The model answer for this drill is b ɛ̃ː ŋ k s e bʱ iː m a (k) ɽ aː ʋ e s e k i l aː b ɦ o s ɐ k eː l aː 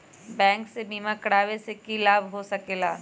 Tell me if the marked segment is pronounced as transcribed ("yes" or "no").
yes